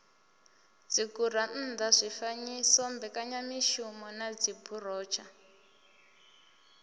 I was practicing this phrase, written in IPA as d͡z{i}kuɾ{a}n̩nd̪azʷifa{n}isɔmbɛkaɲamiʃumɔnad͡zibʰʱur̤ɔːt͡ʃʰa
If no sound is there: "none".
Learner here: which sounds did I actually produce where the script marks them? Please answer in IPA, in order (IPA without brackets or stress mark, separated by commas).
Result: i, a, ɲ